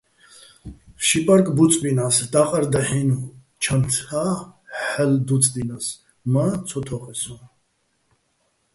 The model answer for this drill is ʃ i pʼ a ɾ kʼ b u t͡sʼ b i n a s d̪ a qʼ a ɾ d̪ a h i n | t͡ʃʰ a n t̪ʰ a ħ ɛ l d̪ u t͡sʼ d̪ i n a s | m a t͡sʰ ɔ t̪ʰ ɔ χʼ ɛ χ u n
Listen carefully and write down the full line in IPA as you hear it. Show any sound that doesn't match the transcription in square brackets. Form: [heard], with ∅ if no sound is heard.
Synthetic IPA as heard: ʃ i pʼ a ɾ kʼ b u t͡sʼ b i n a s d̪ a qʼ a ɾ d̪ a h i n | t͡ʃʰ a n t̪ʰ a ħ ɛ l d̪ u t͡sʼ d̪ i n a s | m a t͡sʰ ɔ t̪ʰ ɔ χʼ ɛ [s] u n